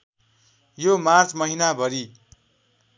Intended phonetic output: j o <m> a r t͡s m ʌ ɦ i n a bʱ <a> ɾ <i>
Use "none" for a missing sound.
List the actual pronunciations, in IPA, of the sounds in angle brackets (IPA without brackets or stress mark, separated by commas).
m, ʌ, i